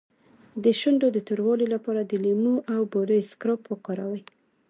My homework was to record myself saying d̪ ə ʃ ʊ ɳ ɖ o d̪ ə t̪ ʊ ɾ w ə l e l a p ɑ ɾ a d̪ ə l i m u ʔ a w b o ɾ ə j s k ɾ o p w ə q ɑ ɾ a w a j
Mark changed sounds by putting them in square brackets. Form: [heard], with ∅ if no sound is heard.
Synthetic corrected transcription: d̪ ə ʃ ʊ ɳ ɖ o d̪ ə t̪ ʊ ɾ w [ɑ] l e l a p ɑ ɾ a d̪ ə l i m u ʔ a w b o ɾ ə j s k ɾ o p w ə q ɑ ɾ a w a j